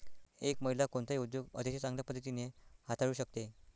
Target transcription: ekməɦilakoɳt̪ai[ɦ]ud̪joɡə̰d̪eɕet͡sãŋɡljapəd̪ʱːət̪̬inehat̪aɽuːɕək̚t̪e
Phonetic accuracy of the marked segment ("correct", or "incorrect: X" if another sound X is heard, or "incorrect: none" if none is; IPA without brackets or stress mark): incorrect: none